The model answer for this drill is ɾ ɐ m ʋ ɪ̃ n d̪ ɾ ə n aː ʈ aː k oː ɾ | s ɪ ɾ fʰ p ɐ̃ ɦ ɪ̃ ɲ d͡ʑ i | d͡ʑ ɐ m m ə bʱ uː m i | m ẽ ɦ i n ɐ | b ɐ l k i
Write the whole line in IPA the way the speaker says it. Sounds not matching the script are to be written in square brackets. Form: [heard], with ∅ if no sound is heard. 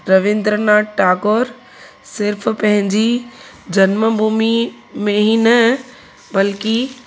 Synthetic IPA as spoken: ɾ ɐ [∅] ʋ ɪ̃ n d̪ ɾ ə n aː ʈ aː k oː ɾ | s ɪ ɾ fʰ p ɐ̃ ɦ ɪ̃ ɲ d͡ʑ i | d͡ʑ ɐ [n] m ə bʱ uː m i | m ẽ ɦ i n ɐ | b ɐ l k i

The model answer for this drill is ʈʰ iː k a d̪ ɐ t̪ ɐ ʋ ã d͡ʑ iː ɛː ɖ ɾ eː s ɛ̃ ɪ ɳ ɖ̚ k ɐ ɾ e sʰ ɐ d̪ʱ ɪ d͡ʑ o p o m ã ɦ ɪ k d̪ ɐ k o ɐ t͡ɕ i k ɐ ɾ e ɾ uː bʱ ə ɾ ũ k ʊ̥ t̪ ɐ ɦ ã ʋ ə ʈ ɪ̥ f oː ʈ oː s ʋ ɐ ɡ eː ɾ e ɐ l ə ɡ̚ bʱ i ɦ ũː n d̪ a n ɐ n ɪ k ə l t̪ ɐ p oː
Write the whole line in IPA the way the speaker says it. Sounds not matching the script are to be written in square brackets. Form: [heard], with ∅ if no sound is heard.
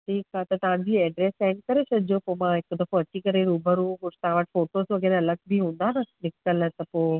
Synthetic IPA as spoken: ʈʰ iː k a [t̪] ɐ t̪ ɐ ʋ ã d͡ʑ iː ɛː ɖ ɾ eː s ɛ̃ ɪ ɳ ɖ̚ k ɐ ɾ e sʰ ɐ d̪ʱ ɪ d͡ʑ o p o m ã ɦ ɪ k d̪ ɐ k o ɐ t͡ɕ i k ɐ ɾ e ɾ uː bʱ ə ɾ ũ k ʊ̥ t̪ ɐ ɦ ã ʋ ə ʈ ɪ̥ f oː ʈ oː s ʋ ɐ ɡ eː ɾ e ɐ l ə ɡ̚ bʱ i ɦ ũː n d̪ a n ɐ n ɪ k ə l t̪ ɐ p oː

